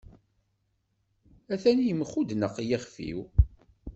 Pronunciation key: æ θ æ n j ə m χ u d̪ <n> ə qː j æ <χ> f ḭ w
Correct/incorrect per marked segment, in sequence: correct, correct

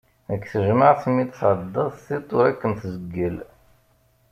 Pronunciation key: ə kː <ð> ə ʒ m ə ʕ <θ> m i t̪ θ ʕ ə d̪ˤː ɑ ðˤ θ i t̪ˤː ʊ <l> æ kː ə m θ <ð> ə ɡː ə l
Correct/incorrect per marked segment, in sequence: incorrect, correct, incorrect, incorrect

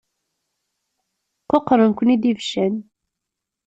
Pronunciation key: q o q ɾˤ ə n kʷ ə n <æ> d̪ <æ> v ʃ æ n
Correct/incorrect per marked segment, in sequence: incorrect, incorrect

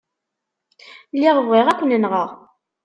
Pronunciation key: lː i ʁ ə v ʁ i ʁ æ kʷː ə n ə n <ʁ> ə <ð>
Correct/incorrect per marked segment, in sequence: correct, incorrect

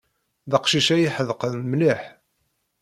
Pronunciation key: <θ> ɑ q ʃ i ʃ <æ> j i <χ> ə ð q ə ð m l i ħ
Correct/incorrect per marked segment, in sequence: incorrect, correct, incorrect

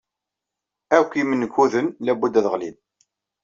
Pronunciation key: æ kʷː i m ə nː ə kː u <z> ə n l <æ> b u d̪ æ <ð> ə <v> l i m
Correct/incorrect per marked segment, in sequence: incorrect, correct, correct, incorrect

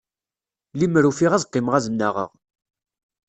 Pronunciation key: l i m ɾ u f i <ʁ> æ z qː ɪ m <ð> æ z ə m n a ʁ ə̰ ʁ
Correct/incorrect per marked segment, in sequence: correct, incorrect

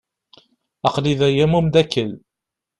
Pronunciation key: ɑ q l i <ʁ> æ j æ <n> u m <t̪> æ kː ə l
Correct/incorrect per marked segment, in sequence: incorrect, incorrect, incorrect

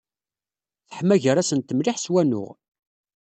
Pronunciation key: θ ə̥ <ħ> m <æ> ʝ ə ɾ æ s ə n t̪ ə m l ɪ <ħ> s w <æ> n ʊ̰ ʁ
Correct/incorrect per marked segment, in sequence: correct, correct, correct, correct

